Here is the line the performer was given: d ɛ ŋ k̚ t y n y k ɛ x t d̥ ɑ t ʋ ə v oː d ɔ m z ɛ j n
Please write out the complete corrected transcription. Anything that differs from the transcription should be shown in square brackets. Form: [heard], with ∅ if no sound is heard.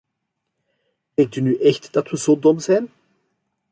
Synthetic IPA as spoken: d ɛ ŋ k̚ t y n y [ʔ] ɛ x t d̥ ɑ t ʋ ə [z] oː d ɔ m z ɛ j n